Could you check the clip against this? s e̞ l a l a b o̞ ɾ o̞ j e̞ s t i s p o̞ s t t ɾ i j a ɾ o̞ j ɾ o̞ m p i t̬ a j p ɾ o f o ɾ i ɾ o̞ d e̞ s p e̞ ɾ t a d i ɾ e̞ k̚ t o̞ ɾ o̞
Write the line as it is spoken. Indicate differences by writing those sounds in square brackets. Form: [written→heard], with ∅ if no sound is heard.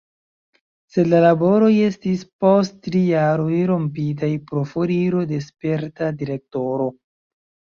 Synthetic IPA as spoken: s e̞ l a l a b o̞ ɾ o̞ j e̞ s t i s p o̞ s t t ɾ i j a ɾ o̞ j ɾ o̞ m p i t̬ a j p ɾ o f o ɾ i ɾ o̞ d e̞ s p e̞ ɾ t a d i ɾ e̞ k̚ t o̞ ɾ o̞